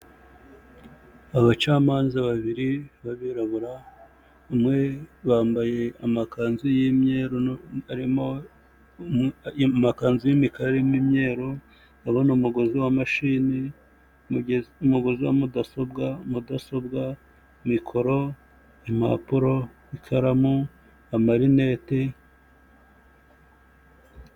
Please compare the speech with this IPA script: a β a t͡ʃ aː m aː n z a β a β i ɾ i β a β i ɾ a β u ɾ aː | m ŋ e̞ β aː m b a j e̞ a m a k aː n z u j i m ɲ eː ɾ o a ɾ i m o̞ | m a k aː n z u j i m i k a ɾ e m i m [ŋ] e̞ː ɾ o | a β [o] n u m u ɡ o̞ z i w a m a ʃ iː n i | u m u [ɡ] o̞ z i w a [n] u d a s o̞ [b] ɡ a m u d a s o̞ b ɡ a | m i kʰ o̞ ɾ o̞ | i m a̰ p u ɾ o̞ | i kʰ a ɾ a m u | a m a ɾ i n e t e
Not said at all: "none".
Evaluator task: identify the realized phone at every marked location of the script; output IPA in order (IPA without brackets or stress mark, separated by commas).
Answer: ɲ, o, ɡ, m, b